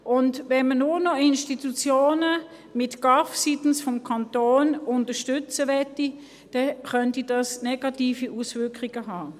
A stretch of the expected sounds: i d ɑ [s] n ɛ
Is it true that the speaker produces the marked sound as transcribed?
yes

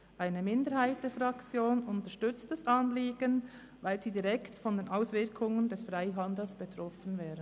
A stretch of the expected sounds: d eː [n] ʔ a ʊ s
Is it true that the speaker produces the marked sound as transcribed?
yes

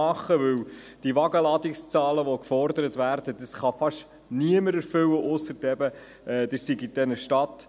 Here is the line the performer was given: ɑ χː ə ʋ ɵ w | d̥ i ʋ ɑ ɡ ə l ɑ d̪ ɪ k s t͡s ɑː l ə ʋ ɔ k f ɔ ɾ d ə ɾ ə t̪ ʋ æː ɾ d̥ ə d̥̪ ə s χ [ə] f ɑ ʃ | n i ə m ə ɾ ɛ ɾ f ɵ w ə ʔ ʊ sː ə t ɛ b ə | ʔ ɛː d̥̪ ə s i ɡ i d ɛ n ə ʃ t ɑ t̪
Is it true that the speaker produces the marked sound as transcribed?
no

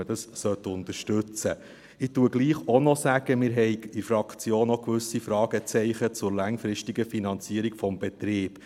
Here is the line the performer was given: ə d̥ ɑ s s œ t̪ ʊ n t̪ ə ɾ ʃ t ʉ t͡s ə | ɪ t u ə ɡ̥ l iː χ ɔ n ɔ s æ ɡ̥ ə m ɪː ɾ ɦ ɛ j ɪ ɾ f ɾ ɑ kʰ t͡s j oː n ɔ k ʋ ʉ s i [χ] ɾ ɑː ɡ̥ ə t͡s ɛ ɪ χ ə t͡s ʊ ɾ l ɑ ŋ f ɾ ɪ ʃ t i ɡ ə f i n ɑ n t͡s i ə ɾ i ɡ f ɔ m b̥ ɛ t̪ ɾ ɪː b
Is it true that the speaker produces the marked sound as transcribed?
no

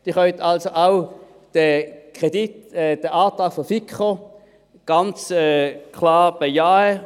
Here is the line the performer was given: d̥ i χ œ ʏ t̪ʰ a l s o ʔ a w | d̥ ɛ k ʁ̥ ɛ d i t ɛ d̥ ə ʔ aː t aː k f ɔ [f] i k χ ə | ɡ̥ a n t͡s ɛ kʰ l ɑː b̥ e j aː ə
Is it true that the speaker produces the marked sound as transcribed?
yes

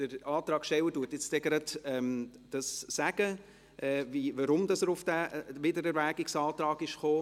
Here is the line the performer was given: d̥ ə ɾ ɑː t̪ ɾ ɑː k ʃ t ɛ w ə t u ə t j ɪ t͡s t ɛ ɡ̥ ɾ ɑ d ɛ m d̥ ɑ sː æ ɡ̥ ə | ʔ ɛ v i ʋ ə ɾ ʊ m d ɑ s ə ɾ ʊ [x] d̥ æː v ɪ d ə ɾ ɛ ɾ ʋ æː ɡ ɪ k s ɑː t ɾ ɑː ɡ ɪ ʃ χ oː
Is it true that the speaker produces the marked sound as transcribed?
no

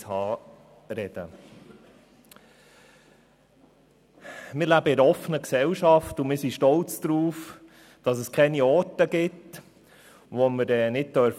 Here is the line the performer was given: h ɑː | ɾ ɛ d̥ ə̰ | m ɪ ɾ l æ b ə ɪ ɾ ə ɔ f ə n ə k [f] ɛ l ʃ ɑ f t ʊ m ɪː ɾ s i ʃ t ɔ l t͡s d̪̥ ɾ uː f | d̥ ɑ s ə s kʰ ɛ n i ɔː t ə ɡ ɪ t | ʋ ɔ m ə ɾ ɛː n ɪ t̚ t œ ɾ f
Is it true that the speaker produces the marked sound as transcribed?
no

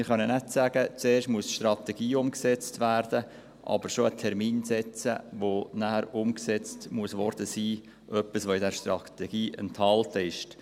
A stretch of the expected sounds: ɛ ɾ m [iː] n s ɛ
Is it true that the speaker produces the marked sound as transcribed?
yes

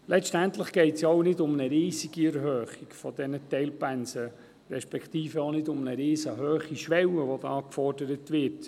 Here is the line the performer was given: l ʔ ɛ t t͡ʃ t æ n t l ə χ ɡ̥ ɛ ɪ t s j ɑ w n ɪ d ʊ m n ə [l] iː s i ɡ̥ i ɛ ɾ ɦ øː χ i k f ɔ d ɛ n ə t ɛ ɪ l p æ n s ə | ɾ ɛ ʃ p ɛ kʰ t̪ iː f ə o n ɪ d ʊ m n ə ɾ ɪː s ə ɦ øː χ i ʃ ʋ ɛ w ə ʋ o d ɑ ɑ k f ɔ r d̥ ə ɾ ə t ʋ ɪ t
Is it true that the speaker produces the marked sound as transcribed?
no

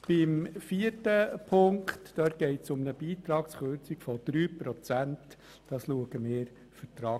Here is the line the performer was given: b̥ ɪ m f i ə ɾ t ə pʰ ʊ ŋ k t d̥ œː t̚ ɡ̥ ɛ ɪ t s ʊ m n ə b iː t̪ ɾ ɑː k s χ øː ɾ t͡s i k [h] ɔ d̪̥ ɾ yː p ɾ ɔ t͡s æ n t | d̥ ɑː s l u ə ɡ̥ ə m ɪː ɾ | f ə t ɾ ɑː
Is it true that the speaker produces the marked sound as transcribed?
no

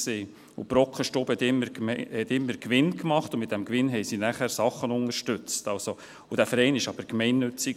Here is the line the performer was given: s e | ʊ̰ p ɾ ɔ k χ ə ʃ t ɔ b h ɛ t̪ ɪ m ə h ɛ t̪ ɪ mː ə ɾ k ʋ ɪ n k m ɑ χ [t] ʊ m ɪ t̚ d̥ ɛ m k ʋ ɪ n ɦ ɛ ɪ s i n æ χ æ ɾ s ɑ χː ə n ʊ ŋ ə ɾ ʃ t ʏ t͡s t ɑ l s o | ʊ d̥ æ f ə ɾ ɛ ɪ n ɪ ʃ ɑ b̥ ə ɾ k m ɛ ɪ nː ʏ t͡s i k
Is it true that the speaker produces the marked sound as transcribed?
yes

